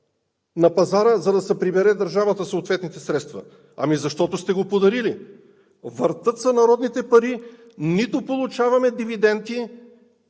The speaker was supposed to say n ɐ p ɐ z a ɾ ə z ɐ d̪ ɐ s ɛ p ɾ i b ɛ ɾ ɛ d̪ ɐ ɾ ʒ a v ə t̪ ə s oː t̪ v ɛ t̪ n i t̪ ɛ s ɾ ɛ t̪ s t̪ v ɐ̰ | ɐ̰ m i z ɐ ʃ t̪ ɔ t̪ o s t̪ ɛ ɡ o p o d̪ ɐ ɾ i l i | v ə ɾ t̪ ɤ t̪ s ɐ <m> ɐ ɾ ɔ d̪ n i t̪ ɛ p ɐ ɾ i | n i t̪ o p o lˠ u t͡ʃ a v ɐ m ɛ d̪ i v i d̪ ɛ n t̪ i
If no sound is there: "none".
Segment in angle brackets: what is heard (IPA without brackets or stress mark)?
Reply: n